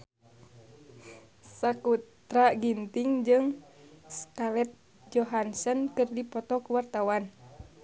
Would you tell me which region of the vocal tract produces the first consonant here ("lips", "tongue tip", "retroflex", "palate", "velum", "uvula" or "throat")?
tongue tip